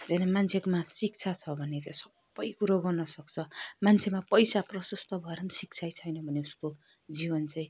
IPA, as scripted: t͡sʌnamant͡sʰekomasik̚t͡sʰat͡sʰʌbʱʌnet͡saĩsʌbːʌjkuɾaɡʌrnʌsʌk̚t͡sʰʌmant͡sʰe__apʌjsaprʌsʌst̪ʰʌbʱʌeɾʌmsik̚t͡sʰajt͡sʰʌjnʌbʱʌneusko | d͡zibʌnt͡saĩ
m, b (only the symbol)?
m